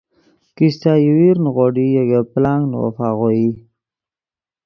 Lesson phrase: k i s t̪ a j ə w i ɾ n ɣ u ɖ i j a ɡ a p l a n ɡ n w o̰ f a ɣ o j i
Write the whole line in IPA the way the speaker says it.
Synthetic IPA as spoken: k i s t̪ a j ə w i ɾ n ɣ o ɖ i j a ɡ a p l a ŋ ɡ n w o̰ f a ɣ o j i